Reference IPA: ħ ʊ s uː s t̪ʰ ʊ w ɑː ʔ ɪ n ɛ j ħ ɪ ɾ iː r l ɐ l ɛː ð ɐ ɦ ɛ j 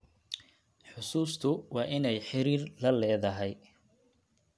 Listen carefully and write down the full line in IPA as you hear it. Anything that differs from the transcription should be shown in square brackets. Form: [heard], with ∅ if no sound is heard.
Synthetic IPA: ħ ʊ s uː s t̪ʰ ʊ w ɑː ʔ ɪ n ɛ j ħ ɪ ɾ iː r l ɐ l ɛː ð ɐ ɦ ɛ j